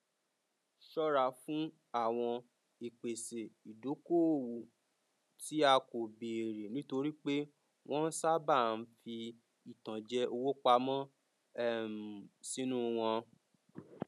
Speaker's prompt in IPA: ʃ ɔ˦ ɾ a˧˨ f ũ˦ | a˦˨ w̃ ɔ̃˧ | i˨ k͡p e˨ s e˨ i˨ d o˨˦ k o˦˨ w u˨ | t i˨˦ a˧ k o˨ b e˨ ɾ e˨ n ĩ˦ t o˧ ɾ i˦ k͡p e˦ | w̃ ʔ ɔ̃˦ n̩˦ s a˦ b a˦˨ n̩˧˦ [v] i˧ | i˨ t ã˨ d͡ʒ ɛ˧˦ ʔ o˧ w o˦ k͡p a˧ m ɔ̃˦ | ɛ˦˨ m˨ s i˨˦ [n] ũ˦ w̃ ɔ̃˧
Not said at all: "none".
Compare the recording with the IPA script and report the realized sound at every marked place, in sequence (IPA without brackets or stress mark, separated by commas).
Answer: f, n